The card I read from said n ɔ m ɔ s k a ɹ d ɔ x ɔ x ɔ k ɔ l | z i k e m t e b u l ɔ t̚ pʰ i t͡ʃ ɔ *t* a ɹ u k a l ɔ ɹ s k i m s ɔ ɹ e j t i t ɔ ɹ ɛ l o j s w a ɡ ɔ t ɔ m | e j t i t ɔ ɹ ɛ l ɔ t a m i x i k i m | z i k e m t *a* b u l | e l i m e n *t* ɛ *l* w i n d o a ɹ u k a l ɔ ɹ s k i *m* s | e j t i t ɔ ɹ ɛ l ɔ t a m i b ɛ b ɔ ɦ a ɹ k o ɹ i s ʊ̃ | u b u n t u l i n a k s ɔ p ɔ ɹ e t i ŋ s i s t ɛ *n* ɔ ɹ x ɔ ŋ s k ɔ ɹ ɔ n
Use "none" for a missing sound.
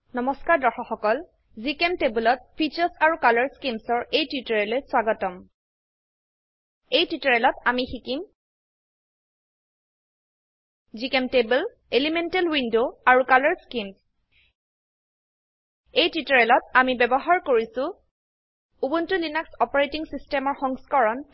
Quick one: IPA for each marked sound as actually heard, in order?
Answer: s, e, t, l, m, m

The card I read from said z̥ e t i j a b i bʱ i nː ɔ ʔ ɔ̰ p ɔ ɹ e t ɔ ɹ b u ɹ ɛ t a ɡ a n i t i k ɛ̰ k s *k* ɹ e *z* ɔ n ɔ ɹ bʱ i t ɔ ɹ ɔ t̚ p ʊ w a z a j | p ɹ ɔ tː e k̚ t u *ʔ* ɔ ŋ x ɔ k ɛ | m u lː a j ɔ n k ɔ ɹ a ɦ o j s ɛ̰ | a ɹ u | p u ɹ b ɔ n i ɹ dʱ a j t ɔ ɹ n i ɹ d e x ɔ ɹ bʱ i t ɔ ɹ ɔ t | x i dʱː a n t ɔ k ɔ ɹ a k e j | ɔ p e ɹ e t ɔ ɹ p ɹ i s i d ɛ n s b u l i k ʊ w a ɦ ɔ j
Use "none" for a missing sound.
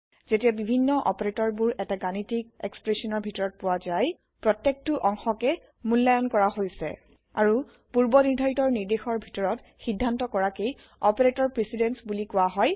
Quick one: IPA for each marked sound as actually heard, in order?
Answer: p, s, ʔ

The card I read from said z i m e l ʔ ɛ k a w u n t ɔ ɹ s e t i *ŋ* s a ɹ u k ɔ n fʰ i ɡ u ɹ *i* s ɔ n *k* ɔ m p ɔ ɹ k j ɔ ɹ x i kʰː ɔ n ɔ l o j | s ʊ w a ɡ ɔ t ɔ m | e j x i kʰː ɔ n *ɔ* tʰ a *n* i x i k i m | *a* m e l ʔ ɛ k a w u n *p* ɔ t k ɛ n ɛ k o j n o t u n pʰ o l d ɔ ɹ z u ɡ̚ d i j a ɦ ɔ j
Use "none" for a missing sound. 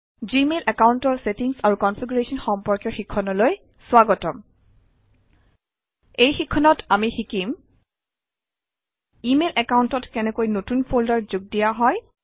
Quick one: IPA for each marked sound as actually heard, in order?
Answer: ŋ, e, x, ɔ, m, i, t

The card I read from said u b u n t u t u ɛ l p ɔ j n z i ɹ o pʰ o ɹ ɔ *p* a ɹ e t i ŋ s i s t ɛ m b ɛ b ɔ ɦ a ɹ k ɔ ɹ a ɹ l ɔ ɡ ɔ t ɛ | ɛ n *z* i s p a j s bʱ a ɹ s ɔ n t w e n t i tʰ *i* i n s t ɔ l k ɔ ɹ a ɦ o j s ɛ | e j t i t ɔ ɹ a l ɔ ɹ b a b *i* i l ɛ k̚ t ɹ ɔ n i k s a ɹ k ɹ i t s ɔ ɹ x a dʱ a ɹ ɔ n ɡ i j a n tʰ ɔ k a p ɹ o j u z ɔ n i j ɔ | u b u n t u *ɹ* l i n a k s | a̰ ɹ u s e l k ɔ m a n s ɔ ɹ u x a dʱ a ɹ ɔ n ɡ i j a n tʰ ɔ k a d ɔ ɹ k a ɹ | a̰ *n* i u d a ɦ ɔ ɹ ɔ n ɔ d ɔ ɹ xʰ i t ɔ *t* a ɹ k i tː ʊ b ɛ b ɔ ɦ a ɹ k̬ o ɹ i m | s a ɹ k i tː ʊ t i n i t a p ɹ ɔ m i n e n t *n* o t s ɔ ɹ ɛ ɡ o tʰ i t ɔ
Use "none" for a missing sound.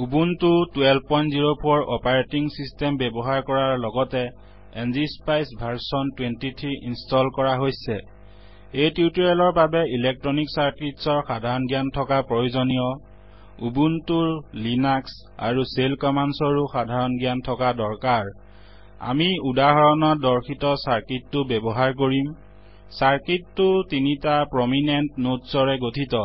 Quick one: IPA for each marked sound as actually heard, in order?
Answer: p, z, i, ɛ, ɹ, m, s, n

